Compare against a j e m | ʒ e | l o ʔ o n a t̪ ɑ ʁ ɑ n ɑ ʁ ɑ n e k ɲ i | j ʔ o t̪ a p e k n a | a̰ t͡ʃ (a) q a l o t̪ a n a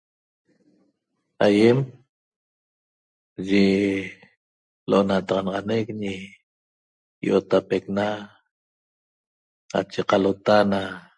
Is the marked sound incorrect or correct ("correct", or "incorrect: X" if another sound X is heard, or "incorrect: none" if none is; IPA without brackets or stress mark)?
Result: incorrect: e